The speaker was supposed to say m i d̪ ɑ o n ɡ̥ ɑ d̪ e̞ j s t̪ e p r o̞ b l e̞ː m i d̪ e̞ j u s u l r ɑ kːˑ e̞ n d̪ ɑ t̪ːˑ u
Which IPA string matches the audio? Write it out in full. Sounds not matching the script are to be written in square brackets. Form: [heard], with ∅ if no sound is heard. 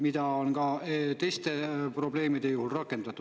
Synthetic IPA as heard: m i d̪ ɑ o n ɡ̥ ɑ [t̪] e̞ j s t̪ e p r o̞ b l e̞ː m i d̪ e̞ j u [h] u l r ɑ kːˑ e̞ n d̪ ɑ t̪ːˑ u